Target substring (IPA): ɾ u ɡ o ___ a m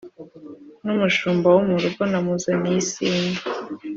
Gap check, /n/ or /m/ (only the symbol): n